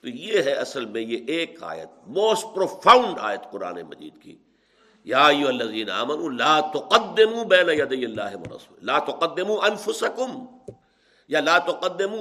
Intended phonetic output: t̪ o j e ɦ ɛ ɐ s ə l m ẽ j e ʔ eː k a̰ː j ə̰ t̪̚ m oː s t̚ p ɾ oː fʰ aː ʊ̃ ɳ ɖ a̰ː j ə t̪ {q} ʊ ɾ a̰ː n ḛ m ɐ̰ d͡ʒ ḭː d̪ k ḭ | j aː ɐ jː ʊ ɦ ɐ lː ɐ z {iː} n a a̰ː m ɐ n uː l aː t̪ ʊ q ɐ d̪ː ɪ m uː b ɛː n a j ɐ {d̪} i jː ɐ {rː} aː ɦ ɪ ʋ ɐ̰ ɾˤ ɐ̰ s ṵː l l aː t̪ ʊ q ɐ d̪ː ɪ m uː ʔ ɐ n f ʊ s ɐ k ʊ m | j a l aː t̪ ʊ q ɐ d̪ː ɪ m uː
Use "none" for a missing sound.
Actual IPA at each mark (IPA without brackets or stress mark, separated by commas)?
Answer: q, iː, d̪, lː